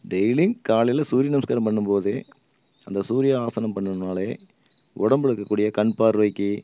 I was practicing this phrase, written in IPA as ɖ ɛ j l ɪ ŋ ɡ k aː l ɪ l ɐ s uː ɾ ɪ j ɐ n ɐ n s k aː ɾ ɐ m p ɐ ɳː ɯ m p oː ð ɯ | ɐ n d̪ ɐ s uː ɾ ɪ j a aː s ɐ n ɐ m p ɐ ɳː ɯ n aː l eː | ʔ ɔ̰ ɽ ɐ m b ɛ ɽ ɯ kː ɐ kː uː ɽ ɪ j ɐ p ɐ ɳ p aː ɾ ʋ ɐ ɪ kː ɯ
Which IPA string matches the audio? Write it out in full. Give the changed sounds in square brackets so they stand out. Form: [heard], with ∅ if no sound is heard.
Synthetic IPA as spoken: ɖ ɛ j l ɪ ŋ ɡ k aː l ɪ l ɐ s uː ɾ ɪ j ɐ n ɐ [m] s k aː ɾ ɐ m p ɐ ɳː ɯ m p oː ð ɯ | ɐ n d̪ ɐ s uː ɾ ɪ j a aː s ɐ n ɐ m p ɐ ɳː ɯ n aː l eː | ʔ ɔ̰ ɽ ɐ m b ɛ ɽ ɯ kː ɐ kː uː ɽ ɪ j ɐ [k] ɐ ɳ p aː ɾ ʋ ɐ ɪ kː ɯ

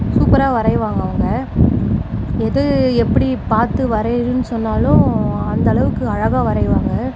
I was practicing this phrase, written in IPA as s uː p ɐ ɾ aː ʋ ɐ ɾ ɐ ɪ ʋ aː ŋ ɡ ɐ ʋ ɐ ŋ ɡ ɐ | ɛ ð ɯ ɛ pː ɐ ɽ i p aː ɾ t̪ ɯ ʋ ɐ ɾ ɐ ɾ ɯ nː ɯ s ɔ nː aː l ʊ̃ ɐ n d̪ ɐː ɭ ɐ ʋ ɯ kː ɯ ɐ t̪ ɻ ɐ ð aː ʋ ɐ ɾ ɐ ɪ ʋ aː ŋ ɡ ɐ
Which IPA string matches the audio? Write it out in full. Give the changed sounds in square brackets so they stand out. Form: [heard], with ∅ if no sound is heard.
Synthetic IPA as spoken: s uː p ɐ ɾ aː ʋ ɐ ɾ ɐ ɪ ʋ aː ŋ ɡ ɐ ʋ ɐ ŋ ɡ ɐ | ɛ ð ɯ ɛ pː ɐ ɽ i p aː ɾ t̪ ɯ ʋ ɐ ɾ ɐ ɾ ɯ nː ɯ s ɔ nː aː l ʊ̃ ɐ n d̪ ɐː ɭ ɐ ʋ ɯ kː ɯ ɐ [∅] ɻ ɐ [ɣ] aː ʋ ɐ ɾ ɐ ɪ ʋ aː ŋ ɡ ɐ

